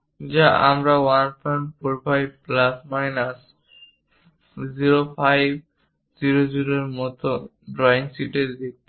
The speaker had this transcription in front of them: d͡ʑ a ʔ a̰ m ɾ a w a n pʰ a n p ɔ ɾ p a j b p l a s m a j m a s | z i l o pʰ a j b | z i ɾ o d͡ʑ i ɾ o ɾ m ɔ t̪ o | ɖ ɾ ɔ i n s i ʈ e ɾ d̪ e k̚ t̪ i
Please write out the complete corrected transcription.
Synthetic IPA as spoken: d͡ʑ a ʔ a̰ m ɾ a w a n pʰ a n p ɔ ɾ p a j b p l a s m a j n a s | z i ɾ o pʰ a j b | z i ɾ o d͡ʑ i ɾ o ɾ m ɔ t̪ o | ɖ ɾ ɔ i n s i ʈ e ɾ d̪ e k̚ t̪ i